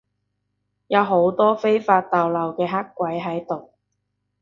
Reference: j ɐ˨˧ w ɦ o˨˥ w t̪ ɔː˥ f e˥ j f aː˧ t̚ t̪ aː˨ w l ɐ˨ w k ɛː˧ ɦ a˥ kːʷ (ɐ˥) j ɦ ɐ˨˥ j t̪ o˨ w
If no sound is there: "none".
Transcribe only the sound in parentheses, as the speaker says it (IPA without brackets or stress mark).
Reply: ɐ˨˥